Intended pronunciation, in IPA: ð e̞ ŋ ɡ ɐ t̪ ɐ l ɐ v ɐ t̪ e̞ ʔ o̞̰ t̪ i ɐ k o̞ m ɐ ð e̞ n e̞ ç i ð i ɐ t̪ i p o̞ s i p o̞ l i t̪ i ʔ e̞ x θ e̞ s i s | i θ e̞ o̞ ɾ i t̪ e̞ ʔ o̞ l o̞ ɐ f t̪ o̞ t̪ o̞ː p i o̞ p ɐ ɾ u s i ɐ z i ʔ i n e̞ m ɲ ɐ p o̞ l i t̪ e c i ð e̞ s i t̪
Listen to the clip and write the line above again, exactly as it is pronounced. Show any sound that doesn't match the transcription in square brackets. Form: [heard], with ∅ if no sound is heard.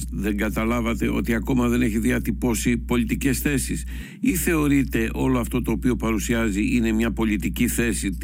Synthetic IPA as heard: ð e̞ ŋ ɡ ɐ t̪ ɐ l ɐ v ɐ t̪ e̞ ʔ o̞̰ t̪ i ɐ k o̞ m ɐ ð e̞ n e̞ ç i ð i ɐ t̪ i p o̞ s i p o̞ l i t̪ i [c] e̞ [s] θ e̞ s i s | i θ e̞ o̞ ɾ i t̪ e̞ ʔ o̞ l o̞ ɐ f t̪ o̞ t̪ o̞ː p i o̞ p ɐ ɾ u s i ɐ z i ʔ i n e̞ m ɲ ɐ p o̞ l i t̪ [i] c i [θ] e̞ s i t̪